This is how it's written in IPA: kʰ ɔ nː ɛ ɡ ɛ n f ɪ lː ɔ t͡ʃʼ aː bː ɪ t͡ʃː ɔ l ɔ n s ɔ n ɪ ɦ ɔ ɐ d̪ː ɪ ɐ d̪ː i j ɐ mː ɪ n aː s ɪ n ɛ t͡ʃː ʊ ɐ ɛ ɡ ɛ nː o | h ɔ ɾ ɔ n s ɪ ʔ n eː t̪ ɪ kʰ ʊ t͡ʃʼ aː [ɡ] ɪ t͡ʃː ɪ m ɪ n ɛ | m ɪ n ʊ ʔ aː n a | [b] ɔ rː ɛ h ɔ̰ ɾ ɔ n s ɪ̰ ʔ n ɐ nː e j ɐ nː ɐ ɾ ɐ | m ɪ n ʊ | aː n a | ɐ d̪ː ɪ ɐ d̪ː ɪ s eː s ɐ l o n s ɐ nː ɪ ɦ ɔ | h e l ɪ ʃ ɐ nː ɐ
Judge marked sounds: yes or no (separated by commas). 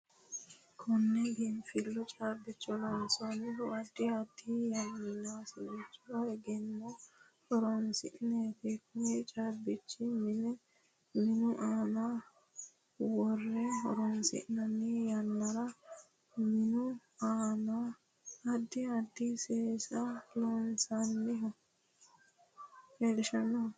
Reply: no, no